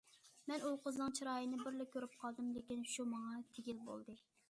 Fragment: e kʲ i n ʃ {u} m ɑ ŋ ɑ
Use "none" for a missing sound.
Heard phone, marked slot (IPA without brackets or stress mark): u